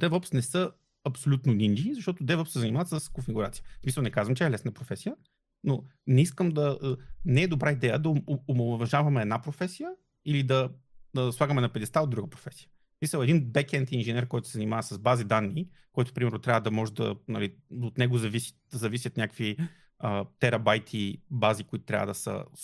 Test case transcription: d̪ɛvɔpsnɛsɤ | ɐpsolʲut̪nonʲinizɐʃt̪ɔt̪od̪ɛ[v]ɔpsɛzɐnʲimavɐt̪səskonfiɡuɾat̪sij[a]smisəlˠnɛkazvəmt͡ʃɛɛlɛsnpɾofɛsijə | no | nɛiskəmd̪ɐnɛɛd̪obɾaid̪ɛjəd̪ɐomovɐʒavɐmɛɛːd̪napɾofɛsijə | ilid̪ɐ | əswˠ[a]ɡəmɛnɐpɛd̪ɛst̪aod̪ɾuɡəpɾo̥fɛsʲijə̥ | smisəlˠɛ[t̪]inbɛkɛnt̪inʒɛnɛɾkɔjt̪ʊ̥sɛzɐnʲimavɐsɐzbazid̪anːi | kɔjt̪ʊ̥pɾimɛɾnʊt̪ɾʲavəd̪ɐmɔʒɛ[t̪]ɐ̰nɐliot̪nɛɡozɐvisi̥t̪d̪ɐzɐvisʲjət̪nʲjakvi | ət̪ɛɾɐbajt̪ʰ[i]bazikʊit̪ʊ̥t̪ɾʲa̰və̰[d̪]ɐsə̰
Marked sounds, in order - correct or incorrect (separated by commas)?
correct, incorrect, correct, incorrect, incorrect, correct, correct